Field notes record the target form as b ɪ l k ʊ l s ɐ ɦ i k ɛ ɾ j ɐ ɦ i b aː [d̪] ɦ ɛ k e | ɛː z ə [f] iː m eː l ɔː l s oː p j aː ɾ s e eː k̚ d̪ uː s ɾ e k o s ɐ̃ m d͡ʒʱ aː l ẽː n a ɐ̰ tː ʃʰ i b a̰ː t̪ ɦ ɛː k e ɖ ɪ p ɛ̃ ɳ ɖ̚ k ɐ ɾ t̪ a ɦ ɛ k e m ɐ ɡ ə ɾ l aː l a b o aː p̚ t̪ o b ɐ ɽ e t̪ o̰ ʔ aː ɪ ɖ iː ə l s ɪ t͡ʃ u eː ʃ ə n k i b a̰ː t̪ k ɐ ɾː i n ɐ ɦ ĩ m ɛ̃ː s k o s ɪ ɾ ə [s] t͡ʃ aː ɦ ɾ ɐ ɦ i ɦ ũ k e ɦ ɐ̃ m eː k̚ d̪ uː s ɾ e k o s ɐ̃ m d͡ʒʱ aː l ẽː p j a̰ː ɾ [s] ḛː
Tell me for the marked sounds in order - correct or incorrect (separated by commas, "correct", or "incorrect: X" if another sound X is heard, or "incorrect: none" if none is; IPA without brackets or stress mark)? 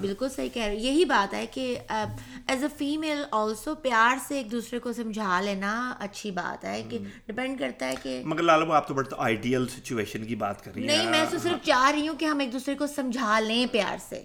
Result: incorrect: t̪, correct, incorrect: f, correct